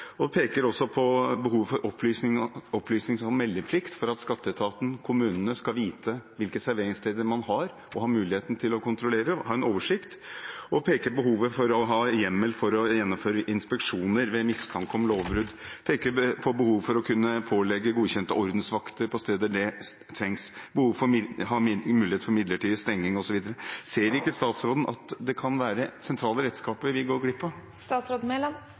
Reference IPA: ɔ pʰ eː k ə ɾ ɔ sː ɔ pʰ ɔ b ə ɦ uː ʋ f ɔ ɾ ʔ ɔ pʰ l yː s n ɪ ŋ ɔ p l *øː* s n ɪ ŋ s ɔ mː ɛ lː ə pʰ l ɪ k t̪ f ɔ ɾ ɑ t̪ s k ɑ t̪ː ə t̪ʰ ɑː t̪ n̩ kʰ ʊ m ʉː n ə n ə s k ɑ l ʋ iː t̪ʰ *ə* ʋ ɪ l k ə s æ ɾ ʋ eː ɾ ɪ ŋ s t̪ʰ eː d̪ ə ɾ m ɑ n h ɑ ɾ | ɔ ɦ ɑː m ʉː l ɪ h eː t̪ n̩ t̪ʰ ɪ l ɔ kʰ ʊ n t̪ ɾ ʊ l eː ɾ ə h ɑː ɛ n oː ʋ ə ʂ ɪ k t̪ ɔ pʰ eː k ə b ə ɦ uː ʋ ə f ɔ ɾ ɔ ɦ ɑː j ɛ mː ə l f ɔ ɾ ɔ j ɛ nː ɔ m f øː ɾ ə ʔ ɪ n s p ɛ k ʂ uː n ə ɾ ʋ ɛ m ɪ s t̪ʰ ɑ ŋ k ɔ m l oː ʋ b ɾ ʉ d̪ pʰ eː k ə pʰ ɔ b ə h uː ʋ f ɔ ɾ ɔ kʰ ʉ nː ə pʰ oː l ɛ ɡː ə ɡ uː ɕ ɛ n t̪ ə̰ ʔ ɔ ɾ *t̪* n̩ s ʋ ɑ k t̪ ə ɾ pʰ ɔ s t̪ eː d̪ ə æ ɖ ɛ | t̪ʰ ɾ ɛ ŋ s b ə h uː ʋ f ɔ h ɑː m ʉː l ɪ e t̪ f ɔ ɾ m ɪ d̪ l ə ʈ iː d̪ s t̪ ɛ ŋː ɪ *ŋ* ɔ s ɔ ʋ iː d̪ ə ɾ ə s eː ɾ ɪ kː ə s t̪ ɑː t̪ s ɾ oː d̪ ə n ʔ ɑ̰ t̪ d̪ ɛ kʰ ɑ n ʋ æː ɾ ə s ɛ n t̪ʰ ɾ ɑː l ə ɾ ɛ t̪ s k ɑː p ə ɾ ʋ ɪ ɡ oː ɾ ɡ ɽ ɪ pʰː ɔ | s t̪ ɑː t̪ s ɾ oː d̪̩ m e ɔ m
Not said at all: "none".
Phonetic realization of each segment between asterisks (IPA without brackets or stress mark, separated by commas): yː, ə, d̪, ŋ